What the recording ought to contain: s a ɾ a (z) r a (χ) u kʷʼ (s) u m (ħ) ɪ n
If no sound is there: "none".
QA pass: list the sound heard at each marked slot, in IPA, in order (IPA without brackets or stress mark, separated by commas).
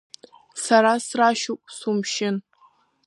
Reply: s, ʃ, s, ʃ